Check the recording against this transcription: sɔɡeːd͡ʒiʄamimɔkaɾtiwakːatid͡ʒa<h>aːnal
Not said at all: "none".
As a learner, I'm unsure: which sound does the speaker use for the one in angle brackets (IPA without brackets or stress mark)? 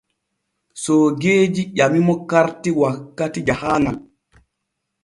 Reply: h